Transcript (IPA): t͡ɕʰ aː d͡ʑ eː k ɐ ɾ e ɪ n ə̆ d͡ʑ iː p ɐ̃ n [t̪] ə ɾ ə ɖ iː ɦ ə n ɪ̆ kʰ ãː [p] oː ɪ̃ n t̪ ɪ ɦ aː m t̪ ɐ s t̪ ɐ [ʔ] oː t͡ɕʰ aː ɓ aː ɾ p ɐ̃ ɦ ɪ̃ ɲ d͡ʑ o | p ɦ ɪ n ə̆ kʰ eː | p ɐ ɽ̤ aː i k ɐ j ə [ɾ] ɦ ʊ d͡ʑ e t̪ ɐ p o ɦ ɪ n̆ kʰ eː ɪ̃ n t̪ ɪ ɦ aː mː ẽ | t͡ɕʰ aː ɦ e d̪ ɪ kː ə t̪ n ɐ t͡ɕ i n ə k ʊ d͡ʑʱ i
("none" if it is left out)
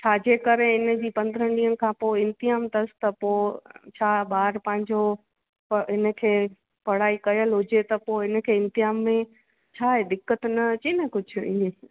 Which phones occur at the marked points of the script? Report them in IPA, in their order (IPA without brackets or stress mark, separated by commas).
d̪, p, p, l